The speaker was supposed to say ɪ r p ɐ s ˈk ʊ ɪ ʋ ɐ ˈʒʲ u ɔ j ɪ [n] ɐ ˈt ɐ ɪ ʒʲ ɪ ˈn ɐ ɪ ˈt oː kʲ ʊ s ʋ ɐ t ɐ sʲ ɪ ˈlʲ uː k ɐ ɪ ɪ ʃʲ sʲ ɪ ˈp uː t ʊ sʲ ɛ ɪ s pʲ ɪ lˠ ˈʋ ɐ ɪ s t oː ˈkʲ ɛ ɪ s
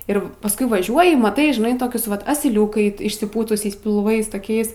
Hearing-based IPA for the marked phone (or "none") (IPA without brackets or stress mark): m